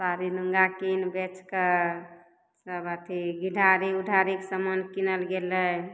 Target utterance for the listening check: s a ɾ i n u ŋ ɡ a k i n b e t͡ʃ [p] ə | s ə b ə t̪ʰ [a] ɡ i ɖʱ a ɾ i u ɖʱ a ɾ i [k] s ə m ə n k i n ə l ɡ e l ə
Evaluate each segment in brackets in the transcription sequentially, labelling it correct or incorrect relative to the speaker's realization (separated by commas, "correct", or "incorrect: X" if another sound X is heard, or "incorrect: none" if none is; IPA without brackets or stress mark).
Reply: incorrect: k, incorrect: i, correct